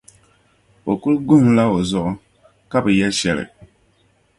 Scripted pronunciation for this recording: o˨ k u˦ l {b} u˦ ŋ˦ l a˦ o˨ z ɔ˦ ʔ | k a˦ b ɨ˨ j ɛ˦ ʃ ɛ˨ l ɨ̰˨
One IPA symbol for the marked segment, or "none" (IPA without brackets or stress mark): ɡ